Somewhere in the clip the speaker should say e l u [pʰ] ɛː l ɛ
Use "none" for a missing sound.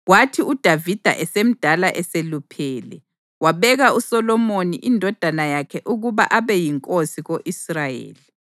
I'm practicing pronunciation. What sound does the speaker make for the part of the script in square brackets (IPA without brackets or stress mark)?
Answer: pʰ